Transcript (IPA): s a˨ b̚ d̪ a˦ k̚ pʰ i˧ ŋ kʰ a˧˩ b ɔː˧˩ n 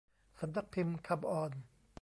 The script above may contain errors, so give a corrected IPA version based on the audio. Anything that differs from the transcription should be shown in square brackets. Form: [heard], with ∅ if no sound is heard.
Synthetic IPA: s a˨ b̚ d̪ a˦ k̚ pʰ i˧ [m] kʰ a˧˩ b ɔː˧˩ n